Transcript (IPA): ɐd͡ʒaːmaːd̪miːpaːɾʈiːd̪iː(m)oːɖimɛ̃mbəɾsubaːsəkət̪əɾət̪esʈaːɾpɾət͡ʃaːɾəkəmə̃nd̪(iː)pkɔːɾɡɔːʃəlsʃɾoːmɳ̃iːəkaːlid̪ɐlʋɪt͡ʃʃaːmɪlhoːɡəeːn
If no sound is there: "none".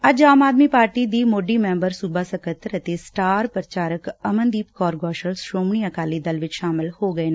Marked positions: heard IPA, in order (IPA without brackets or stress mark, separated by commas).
m, iː